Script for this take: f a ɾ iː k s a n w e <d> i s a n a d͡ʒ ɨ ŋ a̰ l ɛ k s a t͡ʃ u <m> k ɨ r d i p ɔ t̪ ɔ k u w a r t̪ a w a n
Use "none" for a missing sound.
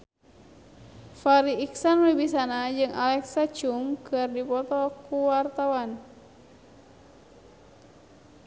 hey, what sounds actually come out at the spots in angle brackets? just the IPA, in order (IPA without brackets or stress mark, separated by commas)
b, ŋ